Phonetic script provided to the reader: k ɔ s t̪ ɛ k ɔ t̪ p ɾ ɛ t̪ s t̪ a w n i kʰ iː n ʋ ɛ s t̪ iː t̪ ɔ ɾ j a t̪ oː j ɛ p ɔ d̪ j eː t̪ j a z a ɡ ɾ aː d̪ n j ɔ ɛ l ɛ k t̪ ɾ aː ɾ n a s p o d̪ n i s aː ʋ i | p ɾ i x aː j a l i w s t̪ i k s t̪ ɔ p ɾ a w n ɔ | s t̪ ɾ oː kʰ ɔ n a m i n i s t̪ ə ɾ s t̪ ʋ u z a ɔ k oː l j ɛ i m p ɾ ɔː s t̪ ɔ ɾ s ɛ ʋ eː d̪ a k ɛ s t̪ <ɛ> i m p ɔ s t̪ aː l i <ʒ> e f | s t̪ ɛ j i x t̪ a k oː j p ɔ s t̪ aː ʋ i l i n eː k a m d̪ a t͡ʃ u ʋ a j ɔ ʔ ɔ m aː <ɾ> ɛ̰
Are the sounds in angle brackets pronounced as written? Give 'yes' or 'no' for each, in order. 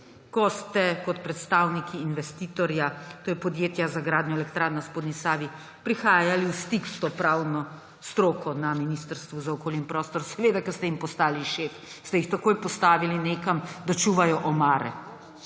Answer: yes, no, yes

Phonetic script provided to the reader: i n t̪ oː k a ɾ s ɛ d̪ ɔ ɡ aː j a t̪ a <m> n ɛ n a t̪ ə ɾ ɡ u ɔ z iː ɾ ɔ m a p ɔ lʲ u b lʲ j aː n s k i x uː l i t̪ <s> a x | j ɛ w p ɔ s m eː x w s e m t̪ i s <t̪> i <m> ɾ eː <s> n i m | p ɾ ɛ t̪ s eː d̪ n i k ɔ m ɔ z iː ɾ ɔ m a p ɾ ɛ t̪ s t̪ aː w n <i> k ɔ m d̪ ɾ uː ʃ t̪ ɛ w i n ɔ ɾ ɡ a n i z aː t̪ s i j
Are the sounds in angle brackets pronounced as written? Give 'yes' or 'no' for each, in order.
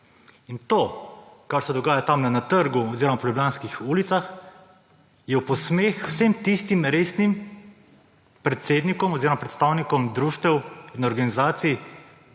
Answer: yes, yes, yes, yes, yes, yes

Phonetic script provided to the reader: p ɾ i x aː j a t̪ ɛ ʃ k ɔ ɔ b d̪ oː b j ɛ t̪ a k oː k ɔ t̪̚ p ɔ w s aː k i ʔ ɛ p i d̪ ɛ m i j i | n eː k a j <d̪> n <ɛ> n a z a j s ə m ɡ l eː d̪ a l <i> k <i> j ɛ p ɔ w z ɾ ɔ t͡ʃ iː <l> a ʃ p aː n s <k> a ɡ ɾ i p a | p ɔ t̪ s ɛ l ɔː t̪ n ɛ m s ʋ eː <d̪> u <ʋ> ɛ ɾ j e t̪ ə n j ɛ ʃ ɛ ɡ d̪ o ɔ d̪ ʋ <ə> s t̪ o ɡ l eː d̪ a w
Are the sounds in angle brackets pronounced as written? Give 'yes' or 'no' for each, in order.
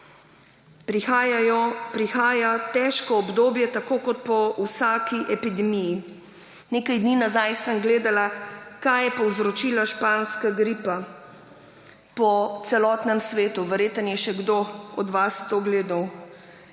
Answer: yes, no, no, no, yes, yes, no, yes, no

